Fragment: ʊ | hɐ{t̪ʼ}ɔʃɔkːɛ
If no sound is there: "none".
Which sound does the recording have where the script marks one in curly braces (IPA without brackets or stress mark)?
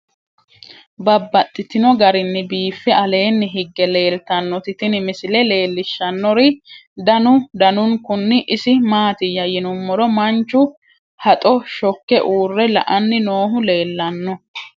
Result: t̪ʼ